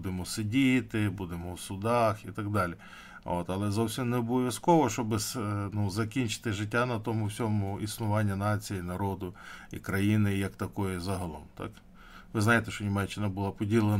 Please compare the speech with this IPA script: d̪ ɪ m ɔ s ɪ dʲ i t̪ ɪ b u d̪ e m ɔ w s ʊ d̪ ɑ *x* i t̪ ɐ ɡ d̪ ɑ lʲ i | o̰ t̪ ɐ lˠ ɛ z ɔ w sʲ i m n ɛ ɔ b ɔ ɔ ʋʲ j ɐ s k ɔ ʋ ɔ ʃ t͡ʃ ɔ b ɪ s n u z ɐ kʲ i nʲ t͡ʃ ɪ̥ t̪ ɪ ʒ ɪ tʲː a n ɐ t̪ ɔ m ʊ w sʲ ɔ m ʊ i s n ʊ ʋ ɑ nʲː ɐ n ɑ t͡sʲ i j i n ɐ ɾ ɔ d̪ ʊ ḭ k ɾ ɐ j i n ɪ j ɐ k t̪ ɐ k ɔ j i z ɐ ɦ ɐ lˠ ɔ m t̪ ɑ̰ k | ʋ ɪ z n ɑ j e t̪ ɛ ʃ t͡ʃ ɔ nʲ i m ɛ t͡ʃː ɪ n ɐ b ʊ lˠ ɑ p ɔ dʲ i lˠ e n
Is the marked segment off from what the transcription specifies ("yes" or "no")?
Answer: no